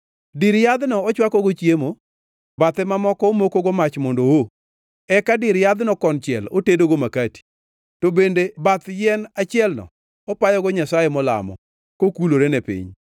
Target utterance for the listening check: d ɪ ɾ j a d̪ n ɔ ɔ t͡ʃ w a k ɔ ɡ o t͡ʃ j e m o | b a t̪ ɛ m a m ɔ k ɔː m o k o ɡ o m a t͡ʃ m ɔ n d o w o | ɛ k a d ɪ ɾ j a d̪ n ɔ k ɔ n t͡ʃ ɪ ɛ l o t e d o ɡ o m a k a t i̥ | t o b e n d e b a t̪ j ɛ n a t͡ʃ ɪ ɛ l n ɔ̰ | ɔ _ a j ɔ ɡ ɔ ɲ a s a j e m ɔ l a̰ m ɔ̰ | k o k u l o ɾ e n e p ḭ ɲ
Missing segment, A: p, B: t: A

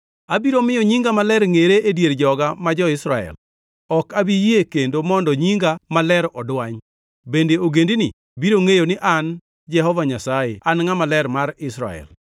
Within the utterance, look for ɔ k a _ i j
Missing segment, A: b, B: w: A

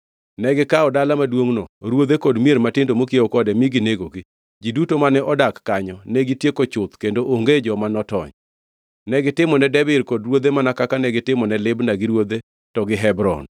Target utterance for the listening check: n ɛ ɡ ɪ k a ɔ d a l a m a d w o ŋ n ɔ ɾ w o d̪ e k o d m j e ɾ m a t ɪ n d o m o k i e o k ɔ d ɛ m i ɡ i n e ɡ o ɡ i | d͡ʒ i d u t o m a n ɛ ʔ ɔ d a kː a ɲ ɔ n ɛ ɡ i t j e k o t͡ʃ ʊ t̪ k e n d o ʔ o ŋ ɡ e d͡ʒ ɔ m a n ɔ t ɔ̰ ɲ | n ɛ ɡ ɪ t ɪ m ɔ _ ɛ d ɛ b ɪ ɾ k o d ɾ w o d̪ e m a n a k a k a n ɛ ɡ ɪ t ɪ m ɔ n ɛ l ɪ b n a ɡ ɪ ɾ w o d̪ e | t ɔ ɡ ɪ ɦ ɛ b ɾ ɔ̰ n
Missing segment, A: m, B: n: B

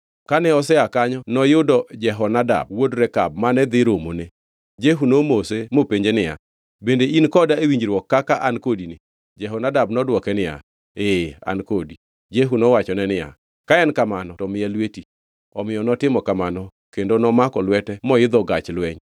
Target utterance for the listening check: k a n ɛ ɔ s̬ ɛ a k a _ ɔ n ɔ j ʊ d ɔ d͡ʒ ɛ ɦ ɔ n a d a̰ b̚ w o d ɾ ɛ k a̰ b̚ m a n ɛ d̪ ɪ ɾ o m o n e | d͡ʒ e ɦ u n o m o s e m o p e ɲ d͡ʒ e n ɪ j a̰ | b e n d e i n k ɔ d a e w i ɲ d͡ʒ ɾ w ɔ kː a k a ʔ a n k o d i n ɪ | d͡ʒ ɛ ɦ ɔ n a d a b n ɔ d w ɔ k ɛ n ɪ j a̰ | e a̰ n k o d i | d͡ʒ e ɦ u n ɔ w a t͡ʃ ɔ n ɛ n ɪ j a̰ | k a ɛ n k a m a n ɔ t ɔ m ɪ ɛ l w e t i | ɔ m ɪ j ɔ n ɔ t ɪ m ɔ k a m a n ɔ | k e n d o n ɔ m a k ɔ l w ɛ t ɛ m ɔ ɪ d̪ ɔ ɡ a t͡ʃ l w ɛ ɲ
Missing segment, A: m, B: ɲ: B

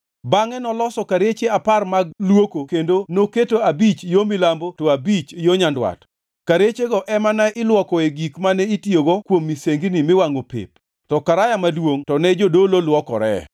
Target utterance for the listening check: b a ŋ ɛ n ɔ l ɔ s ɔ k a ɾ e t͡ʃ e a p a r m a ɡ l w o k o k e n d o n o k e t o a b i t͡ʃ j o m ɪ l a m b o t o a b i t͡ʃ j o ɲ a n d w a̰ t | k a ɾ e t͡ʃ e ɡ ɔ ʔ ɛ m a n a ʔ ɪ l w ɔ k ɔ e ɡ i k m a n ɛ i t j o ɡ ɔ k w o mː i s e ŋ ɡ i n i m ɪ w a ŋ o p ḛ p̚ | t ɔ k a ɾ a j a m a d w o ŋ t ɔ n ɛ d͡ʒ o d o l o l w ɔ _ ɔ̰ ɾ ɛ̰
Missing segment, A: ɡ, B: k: B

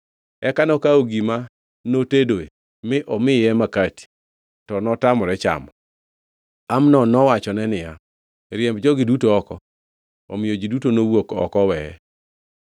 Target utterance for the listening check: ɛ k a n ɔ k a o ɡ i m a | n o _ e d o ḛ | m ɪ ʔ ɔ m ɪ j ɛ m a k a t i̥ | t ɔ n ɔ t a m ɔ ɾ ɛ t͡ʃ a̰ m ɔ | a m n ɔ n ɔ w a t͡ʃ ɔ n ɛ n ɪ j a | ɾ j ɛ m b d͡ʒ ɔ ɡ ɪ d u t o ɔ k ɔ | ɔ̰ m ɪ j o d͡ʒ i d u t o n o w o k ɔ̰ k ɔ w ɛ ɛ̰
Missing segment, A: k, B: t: B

